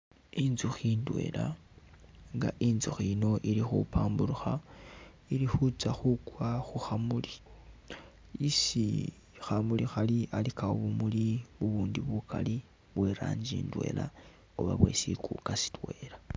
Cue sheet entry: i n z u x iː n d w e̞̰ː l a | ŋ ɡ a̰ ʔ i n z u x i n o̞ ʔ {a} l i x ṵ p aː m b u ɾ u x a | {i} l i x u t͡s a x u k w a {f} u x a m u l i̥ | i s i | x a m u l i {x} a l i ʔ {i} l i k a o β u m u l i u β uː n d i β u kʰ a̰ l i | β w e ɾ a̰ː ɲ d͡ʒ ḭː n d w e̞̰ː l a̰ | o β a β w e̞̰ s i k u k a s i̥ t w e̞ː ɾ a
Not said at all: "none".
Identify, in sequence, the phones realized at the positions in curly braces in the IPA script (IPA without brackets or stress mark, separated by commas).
i, i, x, x, a